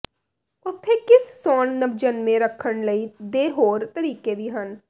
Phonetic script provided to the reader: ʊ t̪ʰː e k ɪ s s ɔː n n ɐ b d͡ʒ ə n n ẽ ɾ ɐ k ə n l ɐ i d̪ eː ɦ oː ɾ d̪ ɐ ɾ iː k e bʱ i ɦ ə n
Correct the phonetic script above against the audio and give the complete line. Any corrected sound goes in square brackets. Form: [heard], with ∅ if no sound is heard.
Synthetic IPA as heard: ʊ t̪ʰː e k ɪ s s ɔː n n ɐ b d͡ʒ ə n [m] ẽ ɾ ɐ [kʰ] ə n l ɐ i d̪ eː ɦ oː ɾ [t̪] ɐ ɾ iː k e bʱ i ɦ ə n